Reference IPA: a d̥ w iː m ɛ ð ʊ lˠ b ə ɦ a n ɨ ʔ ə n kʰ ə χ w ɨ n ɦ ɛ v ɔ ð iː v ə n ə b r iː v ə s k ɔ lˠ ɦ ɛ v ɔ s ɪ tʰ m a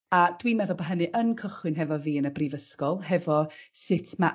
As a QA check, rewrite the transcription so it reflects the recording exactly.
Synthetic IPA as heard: a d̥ w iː m ɛ ð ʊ lˠ b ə ɦ ə n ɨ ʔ ə n kʰ ə χ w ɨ n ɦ ɛ v ɔ v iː ə n ə b r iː v ə s k ɔ lˠ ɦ ɛ v ɔ s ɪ tʰ m a